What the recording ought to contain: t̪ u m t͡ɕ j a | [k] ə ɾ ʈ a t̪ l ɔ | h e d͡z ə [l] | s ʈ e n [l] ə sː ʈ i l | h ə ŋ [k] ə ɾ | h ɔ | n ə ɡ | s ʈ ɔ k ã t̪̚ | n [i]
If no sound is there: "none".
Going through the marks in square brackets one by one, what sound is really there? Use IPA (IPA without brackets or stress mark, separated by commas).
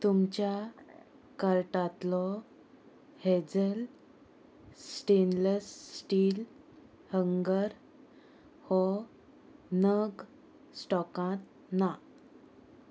k, l, l, ɡ, a